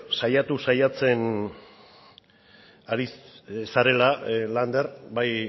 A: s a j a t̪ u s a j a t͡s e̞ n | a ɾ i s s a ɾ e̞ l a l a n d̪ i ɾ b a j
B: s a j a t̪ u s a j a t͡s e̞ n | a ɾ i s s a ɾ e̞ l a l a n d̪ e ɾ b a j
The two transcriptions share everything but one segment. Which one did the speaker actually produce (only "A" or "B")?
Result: B